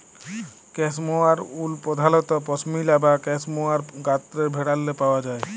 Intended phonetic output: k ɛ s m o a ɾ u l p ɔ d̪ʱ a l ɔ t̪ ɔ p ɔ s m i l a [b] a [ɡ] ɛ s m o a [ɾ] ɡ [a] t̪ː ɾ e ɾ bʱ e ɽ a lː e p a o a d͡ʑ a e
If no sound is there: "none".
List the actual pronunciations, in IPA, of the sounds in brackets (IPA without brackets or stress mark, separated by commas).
b, k, ɾ, a